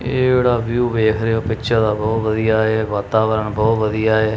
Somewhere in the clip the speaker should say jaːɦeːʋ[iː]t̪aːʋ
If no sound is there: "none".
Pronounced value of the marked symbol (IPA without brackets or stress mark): aː